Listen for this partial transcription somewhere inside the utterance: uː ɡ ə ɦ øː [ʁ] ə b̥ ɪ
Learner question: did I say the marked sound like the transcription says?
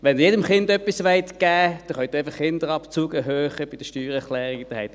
no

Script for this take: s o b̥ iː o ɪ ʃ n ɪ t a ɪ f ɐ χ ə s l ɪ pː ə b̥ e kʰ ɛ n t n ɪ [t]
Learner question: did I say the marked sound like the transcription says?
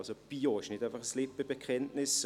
no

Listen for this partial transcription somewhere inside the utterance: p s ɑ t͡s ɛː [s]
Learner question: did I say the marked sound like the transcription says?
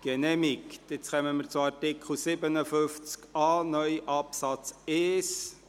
yes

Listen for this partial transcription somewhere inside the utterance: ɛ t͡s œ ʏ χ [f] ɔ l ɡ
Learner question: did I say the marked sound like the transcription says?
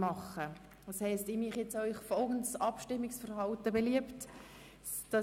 yes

